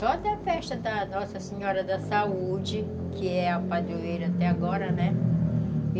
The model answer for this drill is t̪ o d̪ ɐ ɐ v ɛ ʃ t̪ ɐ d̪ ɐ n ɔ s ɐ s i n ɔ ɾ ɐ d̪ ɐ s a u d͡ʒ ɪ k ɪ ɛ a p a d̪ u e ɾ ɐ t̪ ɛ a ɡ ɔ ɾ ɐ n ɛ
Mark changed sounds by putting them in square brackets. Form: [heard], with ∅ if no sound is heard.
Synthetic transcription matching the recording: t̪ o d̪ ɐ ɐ [f] ɛ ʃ t̪ ɐ d̪ ɐ n ɔ s ɐ s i [ɲ] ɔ ɾ ɐ d̪ ɐ s a u d͡ʒ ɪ k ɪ ɛ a p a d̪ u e ɾ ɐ t̪ ɛ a ɡ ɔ ɾ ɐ n ɛ